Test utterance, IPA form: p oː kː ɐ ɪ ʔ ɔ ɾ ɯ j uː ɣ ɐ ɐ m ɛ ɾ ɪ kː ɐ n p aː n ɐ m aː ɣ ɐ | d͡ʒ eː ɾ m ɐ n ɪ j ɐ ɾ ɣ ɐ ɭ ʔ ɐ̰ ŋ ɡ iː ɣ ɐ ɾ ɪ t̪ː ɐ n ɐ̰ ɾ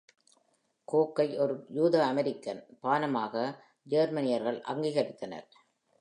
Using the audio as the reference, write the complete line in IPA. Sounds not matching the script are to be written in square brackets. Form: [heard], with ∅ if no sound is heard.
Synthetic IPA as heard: [k] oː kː ɐ ɪ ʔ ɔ ɾ ɯ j uː [ð] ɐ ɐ m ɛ ɾ ɪ kː ɐ n p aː n ɐ m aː ɣ ɐ | d͡ʒ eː ɾ m ɐ n ɪ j ɐ ɾ ɣ ɐ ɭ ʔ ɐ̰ ŋ ɡ iː ɣ ɐ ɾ ɪ t̪ː ɐ n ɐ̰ ɾ